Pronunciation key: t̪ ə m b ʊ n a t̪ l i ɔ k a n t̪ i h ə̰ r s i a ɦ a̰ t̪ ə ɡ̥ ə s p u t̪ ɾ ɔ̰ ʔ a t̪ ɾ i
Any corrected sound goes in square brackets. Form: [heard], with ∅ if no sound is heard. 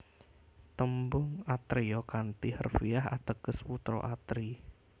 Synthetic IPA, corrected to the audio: t̪ ə m b ʊ [ŋ] a t̪ [ɾ] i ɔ k a n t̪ i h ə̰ r [f] i a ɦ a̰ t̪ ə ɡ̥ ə s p u t̪ ɾ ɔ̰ ʔ a t̪ ɾ i